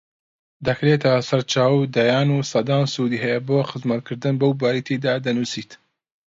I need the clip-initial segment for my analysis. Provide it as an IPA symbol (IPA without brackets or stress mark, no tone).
d̪